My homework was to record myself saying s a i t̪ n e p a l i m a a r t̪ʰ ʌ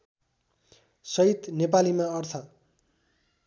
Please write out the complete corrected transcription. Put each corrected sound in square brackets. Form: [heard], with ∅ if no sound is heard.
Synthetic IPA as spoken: s [ʌ] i t̪ n e p a l i m a [ʌ] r t̪ʰ ʌ